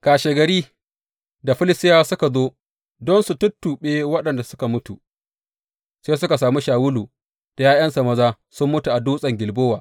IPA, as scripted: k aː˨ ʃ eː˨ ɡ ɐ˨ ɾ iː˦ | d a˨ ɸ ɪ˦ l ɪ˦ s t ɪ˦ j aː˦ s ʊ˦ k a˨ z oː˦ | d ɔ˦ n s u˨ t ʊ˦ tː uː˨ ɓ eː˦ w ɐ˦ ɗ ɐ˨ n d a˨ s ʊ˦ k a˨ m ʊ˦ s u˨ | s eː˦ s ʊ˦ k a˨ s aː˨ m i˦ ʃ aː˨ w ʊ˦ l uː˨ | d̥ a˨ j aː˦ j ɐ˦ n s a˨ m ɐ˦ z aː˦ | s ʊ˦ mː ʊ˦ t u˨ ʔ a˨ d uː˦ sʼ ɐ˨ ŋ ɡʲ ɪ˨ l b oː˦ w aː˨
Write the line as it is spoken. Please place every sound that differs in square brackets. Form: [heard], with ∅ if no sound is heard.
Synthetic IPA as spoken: k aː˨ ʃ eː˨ ɡ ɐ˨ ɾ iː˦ | d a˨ ɸ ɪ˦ l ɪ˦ s t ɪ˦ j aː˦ s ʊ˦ k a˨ z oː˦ | d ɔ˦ n s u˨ t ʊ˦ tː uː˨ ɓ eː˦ w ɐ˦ ɗ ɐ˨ n d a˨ s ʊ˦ k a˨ m ʊ˦ [t] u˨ | s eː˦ s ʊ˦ k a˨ s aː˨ m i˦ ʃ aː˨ w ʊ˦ l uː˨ | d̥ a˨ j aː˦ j ɐ˦ n s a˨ m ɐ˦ z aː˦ | s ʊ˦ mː ʊ˦ t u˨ ʔ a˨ d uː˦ sʼ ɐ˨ ŋ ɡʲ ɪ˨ l b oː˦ w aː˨

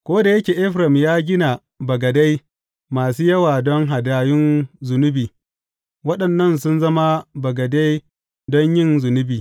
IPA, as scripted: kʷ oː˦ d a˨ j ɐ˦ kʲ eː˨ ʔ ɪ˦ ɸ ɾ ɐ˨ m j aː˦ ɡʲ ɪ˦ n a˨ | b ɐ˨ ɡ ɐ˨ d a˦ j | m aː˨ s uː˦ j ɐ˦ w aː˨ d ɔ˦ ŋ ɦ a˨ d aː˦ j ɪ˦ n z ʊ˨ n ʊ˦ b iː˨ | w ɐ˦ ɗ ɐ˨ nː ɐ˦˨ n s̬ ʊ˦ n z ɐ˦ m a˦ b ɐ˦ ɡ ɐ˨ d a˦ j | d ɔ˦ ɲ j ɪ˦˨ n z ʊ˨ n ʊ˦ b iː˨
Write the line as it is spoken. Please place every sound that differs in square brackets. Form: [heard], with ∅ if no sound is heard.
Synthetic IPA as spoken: kʷ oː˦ d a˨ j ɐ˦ kʲ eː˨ ʔ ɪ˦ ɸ ɾ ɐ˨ m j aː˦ ɡʲ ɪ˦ n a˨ | b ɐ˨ ɡ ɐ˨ d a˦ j | m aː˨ s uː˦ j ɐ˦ w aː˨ d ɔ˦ ŋ ɦ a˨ d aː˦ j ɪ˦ n z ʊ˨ n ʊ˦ b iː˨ | w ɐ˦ ɗ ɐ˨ nː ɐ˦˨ n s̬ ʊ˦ n z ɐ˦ m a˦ b [ɐ˨] ɡ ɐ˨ d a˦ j | d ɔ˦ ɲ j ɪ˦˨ n z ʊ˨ n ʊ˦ b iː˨

